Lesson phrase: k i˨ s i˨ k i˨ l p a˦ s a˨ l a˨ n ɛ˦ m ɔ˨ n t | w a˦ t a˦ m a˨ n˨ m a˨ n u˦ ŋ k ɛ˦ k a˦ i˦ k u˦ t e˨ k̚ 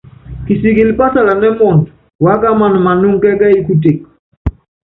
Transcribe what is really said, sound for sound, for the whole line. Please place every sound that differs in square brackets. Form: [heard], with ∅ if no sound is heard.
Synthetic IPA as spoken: k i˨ s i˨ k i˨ l p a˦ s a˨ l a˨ n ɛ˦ m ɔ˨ n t | w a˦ [k] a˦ m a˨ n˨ m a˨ n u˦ ŋ k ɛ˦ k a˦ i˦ k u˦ t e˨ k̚